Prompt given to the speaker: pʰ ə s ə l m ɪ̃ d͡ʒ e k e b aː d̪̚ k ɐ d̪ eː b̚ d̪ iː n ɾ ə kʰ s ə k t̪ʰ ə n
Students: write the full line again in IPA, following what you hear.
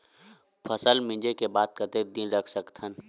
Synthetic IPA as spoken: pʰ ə s ə l m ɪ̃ d͡ʒ e k e b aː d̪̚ k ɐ t̪ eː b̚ d̪ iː n ɾ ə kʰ s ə k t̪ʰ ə n